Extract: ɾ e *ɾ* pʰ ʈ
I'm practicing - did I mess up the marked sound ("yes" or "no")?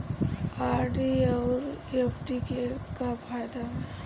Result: yes